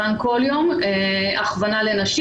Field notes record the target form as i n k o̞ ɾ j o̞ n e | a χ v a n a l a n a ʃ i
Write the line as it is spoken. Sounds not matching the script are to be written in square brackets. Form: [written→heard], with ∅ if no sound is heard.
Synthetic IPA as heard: [i→a] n k o̞ [ɾ→l] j o̞ [n→m] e | a χ v a n a l [a→e] n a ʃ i

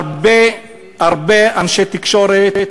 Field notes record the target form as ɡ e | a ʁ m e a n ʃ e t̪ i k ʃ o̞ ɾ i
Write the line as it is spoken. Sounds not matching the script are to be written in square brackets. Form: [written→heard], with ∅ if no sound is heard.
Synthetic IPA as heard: [ɡ→b] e | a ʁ [m→b] e a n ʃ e t̪ i k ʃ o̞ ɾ [i→e]

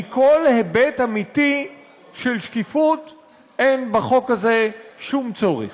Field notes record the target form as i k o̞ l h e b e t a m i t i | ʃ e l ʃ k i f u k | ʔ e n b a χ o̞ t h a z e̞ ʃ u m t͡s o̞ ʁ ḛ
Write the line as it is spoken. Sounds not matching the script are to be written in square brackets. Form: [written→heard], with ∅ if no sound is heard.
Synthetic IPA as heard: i k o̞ l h e b e t a m i t i | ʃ e l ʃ k i f u [k→t] | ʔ e n b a χ o̞ [t→k] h a z e̞ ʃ u m t͡s o̞ ʁ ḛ

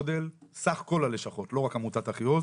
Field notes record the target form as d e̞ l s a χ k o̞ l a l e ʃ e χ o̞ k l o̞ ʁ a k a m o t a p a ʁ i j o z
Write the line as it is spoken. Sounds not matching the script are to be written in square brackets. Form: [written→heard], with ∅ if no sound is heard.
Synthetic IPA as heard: d e̞ l s a χ k o̞ l a l e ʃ [e→a] χ o̞ [k→t] l o̞ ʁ a k a m [o→u] t a [p→t] a [ʁ→χ] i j o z

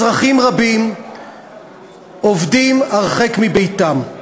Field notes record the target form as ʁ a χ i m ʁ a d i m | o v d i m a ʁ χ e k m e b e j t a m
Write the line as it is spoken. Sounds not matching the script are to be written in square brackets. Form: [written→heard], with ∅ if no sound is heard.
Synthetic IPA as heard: ʁ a χ i m ʁ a [d→b] i m | o v d i m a ʁ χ e k m [e→i] b e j t a m

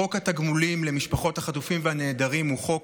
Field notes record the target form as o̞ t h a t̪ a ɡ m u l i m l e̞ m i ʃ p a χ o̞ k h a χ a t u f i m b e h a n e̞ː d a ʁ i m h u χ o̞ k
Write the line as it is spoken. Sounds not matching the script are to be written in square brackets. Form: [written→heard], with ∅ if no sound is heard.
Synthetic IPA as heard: o̞ [t→k] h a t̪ a ɡ m u l i m l e̞ m i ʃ p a χ o̞ [k→t] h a χ a t u f i m [b→v] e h a n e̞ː d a ʁ i m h u χ o̞ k

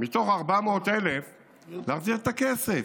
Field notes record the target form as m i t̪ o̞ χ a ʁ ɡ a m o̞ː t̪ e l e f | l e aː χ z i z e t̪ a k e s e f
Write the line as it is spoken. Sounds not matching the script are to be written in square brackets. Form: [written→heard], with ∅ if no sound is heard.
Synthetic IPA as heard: m i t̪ o̞ χ a ʁ [ɡ→b] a m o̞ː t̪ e l e f | l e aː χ z i [z→ʁ] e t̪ a k e s e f

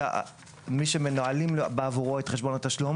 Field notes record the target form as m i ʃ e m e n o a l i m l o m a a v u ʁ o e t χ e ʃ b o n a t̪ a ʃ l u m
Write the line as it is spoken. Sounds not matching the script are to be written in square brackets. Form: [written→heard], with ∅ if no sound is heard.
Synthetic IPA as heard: m i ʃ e m e n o a l i m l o [m→b] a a v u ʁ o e t χ e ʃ b o n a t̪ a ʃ l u m

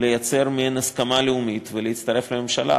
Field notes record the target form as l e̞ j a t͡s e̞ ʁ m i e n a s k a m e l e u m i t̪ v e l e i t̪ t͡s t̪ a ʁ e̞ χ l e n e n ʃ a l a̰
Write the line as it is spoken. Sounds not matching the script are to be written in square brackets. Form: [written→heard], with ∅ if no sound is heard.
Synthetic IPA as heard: l e̞ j a t͡s e̞ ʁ m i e n a s k a m [e→a] l e u m i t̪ v e l e i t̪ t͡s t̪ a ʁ e̞ [χ→f] l e [n→m] e [n→m] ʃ a l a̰

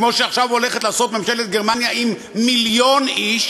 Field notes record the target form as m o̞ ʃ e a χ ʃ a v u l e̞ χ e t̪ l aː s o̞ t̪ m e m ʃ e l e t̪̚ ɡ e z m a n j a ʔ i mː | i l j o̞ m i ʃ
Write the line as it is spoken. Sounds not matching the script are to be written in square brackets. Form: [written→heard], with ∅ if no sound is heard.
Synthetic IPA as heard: m o̞ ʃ e a χ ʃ a v [u→o] l e̞ χ e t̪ l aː s o̞ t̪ m e m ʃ e l e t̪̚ ɡ e [z→ʁ] m a n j a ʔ i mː | i l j o̞ [m→n] i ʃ

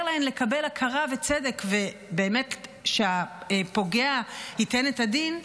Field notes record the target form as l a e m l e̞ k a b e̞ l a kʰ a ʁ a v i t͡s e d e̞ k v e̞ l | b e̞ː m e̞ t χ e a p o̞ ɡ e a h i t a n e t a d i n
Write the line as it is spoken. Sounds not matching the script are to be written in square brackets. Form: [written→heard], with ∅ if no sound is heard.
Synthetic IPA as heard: l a e m l e̞ k a b e̞ l a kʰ a ʁ a v [i→e] t͡s e d e̞ k v e̞ [l→∅] | b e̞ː m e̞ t [χ→ʃ] e a p o̞ ɡ e a h i t [a→e] n e t a d i n

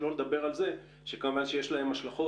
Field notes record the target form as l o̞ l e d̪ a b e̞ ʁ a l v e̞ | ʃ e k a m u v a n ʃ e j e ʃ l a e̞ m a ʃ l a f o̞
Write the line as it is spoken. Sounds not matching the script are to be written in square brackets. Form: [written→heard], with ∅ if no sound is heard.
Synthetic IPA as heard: l o̞ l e d̪ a b e̞ ʁ a l [v→z] e̞ | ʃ e k a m u v a n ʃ e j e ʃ l a e̞ m a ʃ l a [f→χ] o̞

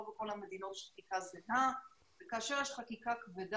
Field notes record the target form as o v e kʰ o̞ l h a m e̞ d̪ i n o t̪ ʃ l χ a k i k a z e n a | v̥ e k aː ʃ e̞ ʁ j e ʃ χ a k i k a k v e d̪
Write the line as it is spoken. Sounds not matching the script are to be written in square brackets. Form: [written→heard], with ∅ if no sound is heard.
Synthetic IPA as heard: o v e [kʰ→k] o̞ l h a m e̞ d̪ i n o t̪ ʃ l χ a k i k a z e n a | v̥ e k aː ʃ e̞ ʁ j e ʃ χ a k i k a k v e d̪

